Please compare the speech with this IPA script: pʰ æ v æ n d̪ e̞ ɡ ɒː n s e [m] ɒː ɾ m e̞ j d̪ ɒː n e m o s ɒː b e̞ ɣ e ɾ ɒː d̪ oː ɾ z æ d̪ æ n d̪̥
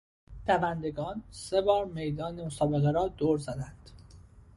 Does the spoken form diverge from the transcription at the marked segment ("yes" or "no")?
yes